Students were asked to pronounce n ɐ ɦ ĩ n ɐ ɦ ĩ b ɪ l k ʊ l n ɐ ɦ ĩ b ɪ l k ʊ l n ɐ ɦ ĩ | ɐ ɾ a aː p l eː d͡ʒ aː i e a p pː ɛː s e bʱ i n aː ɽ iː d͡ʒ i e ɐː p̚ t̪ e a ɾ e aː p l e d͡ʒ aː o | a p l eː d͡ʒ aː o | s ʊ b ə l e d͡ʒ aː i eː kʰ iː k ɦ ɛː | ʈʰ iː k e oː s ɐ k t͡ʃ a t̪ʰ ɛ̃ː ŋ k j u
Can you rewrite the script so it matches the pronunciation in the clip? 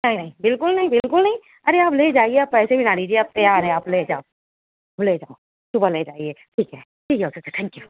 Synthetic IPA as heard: n ɐ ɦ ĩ n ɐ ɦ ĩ b ɪ l k ʊ l n ɐ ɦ ĩ b ɪ l k ʊ l n ɐ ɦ ĩ | ɐ ɾ e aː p l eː d͡ʒ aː i e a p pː ɛː s e bʱ i n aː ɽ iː d͡ʒ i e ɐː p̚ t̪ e a ɾ e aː p l e d͡ʒ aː o | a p l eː d͡ʒ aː o | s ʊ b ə l e d͡ʒ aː i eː ʈʰ iː k ɦ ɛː | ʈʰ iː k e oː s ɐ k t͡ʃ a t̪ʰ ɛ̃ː ŋ k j u